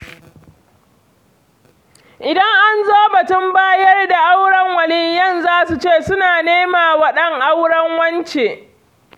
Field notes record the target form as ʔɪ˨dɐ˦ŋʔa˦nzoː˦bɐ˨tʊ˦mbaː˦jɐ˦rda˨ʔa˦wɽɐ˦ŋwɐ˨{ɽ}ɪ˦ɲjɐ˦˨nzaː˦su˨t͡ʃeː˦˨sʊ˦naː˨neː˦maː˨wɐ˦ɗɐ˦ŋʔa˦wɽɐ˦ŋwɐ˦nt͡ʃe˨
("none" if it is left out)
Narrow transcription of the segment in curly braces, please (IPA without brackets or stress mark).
l